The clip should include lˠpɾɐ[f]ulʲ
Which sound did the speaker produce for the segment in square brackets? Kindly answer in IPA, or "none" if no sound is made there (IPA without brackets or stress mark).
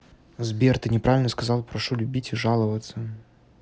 ʂ